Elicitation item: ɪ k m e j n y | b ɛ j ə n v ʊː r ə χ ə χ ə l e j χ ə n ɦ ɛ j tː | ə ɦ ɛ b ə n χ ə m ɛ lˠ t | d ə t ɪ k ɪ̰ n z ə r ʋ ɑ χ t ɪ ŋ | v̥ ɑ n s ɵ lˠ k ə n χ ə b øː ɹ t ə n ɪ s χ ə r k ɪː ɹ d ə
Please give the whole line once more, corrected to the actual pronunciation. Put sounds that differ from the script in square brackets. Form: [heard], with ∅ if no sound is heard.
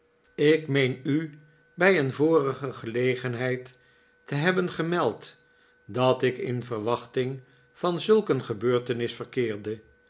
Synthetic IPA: ɪ k m e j n y | b ɛ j ə n v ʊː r ə χ ə χ ə l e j χ ə n ɦ ɛ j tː | ə ɦ ɛ b ə n χ ə m ɛ lˠ t | d [ɑ] t ɪ k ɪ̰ n [v] ə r ʋ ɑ χ t ɪ ŋ | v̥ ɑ n [z] ɵ lˠ k ə n χ ə b øː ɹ t ə n ɪ s [f] ə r k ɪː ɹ d ə